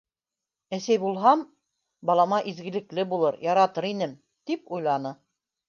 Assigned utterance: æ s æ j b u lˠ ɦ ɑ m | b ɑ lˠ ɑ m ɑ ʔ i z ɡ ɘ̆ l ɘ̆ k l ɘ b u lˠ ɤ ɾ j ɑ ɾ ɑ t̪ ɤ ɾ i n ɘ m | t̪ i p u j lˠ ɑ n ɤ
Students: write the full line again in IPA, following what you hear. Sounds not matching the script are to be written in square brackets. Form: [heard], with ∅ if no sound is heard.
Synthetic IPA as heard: æ s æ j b u lˠ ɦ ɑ m | b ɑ lˠ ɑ m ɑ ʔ i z ɡ ɘ̆ l ɘ̆ k l ɘ b u lˠ ɤ ɾ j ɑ ɾ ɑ t̪ ɤ ɾ i n ɘ m | t̪ i p u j lˠ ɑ n ɤ